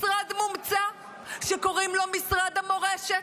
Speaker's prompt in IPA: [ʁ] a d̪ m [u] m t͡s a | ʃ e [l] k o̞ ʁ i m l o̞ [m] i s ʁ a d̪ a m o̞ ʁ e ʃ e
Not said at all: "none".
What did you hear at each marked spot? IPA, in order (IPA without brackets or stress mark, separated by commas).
ʁ, u, none, m